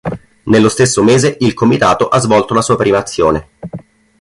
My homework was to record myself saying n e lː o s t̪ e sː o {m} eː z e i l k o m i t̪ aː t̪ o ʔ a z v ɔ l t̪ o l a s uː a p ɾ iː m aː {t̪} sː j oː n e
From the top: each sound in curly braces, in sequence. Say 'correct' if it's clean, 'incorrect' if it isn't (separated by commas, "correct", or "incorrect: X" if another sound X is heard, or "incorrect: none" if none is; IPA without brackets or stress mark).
correct, correct